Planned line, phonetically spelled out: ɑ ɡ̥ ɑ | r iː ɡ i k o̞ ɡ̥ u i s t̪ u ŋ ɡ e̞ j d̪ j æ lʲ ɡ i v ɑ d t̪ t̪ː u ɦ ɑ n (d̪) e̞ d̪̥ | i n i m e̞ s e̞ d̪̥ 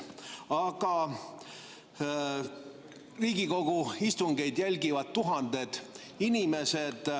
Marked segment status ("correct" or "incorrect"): correct